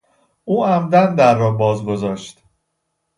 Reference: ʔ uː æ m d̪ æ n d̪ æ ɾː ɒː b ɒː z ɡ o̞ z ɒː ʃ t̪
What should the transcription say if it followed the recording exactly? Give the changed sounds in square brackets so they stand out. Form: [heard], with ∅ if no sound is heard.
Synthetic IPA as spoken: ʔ uː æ m d̪ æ n d̪ æ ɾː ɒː b ɒː z ɡ o̞ z ɒː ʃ t̪